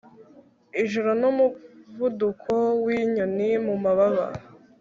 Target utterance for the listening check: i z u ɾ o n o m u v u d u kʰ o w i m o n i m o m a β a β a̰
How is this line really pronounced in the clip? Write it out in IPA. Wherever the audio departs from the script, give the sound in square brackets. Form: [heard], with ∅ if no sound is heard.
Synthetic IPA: i [ʒ] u ɾ o n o m u v u d u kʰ o w i [ɲ] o n i m [u] m a β a β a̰